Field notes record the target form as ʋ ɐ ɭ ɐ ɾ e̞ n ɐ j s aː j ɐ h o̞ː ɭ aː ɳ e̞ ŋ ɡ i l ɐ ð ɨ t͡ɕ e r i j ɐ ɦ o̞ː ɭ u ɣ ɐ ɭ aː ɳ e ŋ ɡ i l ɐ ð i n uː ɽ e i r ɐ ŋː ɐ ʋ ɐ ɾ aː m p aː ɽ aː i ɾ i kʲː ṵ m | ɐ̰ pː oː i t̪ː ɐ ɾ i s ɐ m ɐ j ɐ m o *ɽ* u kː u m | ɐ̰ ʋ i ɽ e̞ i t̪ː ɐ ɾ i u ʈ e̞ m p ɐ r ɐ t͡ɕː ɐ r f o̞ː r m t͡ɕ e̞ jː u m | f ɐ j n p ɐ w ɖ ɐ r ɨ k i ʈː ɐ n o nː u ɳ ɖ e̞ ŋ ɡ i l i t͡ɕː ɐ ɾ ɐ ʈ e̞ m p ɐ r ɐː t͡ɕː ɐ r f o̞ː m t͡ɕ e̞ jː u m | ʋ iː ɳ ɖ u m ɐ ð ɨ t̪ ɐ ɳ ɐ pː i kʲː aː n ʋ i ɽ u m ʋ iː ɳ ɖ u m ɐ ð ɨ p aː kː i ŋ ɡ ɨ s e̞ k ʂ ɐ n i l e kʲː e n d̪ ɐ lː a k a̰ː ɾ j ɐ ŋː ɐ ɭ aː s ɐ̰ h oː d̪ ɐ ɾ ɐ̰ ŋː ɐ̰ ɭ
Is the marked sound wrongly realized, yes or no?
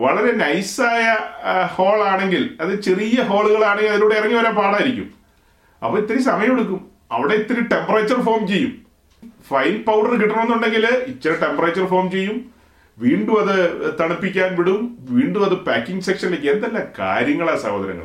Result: no